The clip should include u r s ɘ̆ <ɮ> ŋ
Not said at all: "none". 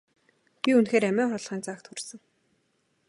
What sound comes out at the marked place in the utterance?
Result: none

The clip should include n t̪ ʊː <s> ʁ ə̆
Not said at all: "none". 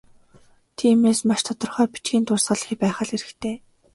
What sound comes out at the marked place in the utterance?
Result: s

